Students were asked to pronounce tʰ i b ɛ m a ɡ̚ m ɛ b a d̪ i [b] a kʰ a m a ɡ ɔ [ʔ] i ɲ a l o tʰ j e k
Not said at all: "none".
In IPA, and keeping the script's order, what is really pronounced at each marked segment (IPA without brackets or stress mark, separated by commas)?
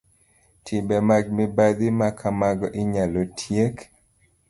m, ʔ